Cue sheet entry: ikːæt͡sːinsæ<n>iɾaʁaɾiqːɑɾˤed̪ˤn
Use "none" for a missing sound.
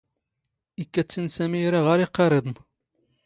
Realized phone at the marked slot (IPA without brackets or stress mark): m